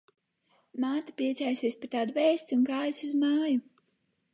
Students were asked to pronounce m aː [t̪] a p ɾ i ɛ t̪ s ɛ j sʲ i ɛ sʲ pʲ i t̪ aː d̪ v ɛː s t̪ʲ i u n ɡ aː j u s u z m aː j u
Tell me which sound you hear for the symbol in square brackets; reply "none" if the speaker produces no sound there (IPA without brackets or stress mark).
t̪